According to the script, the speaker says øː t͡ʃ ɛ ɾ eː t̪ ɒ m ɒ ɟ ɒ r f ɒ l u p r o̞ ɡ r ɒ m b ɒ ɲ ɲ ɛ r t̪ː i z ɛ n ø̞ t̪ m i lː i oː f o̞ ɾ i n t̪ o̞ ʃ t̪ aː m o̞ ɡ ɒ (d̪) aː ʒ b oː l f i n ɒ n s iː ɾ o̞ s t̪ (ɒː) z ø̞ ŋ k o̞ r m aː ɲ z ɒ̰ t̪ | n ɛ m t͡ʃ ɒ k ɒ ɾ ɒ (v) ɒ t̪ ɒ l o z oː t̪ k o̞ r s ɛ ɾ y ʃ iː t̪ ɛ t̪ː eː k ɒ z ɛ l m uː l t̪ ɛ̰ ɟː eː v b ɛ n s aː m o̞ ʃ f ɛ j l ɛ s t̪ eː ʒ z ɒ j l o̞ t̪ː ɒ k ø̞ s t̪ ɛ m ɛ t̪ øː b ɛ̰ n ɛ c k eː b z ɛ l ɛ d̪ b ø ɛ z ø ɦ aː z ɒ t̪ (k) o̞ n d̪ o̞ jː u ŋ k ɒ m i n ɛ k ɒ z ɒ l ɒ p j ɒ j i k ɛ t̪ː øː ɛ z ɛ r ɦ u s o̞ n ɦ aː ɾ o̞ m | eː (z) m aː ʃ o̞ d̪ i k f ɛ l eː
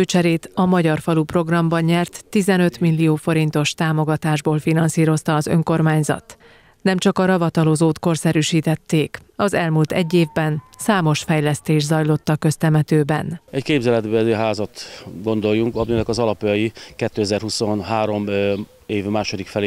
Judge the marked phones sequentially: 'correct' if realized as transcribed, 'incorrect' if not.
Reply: incorrect: t̪, correct, correct, incorrect: ɡ, incorrect: v

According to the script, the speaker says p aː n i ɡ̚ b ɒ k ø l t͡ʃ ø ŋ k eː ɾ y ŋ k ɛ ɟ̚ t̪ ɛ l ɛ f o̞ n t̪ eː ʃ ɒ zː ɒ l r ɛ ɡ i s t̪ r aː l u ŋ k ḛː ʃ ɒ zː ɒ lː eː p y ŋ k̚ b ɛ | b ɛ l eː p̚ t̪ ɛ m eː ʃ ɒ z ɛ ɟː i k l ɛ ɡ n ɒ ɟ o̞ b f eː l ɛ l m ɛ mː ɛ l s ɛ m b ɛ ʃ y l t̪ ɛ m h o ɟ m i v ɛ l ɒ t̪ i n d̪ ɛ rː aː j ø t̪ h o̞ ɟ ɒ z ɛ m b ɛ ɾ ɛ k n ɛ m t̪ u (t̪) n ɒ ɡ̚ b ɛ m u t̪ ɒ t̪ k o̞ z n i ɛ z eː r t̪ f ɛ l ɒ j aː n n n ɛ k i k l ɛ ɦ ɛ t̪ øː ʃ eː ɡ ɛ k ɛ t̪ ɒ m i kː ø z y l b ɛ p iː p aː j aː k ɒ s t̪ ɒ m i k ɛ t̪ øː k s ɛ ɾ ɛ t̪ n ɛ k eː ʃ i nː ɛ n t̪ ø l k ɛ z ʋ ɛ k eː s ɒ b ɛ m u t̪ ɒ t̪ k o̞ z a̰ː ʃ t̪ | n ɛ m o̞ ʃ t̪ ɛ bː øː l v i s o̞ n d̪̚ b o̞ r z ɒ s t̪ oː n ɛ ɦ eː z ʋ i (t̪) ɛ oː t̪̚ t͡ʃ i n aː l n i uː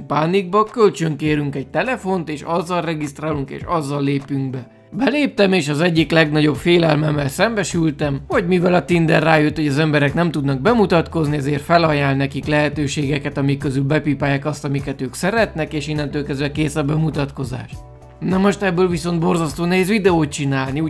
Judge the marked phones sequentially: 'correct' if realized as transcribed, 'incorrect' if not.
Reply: incorrect: d̪, incorrect: d̪

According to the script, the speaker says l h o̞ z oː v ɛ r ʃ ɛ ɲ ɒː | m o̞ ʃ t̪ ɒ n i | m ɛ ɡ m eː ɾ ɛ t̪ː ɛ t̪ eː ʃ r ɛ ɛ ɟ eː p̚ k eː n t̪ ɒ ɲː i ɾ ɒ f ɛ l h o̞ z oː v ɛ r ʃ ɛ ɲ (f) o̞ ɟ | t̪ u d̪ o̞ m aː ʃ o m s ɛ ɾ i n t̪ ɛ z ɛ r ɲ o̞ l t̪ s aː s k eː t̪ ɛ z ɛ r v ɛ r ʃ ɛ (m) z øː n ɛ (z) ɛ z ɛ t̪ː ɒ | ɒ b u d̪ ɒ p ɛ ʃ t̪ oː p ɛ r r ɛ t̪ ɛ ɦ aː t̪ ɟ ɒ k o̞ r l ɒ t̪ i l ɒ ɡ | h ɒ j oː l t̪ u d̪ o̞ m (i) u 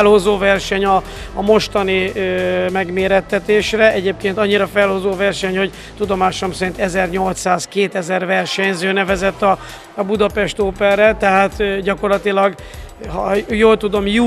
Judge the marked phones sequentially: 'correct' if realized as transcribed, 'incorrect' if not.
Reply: incorrect: h, incorrect: ɲ, incorrect: v, incorrect: j

